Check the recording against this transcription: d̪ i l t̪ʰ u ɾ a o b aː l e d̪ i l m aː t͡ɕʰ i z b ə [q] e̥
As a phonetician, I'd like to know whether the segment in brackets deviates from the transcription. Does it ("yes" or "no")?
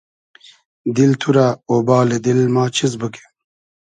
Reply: yes